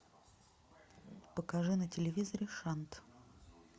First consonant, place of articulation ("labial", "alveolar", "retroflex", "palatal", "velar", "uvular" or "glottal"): labial